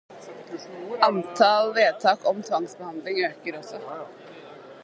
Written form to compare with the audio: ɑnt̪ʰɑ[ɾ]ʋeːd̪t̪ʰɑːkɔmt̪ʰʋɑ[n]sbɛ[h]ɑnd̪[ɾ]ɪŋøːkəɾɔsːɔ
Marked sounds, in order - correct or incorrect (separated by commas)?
incorrect, incorrect, correct, incorrect